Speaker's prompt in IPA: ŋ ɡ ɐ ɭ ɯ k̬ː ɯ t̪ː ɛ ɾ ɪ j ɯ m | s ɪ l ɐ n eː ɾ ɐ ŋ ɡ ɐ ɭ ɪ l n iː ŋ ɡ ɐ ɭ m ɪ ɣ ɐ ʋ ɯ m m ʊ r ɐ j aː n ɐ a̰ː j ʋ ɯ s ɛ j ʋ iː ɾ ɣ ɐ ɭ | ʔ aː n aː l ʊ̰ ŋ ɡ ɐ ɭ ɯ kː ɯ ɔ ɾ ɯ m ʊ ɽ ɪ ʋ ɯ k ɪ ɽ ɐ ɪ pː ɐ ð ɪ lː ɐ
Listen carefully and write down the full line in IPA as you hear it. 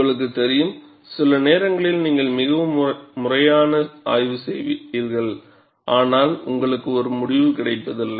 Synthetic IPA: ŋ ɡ ɐ ɭ ɯ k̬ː ɯ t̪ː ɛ ɾ ɪ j ɯ m | s ɪ l ɐ n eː ɾ ɐ ŋ ɡ ɐ ɭ ɪ l n iː ŋ ɡ ɐ ɭ m ɪ ɣ ɐ ʋ ɯ m m ʊ r ɐ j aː n ɐ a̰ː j ʋ ɯ s ɛ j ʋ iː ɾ ɣ ɐ ɭ | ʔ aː n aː l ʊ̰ ŋ ɡ ɐ ɭ ɯ kː ɯ ɔ ɾ ɯ m ʊ ɽ ɪ ʋ ɯ k ɪ ɽ ɐ ɪ pː ɐ ð ɪ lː ɐ